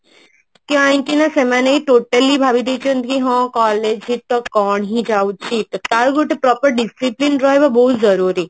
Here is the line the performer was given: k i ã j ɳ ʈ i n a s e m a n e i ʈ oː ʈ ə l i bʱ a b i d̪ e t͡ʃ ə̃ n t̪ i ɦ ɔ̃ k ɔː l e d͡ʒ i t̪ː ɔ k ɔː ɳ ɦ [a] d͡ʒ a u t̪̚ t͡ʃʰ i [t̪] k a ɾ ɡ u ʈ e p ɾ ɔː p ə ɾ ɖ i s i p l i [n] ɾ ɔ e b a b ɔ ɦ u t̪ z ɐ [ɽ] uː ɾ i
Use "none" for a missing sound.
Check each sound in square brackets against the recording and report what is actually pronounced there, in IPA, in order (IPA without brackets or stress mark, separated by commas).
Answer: i, t̪, n, ɾ